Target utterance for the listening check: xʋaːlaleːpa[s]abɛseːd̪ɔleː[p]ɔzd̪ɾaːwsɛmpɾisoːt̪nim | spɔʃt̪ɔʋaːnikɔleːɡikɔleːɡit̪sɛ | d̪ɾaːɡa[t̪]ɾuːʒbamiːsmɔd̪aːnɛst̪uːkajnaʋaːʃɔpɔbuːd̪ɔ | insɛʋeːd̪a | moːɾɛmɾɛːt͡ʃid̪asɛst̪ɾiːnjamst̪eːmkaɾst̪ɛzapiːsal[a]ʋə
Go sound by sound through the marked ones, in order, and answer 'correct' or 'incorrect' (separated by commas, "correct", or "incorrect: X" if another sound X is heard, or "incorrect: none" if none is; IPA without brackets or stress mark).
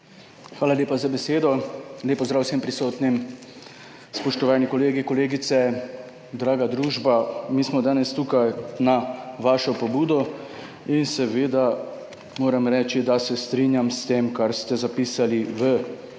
incorrect: z, correct, incorrect: d̪, incorrect: i